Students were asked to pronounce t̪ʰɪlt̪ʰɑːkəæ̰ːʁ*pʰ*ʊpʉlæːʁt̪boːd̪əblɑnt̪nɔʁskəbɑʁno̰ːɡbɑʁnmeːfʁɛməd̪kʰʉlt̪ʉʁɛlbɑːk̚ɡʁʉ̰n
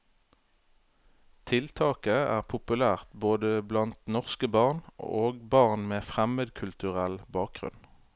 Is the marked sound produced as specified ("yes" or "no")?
yes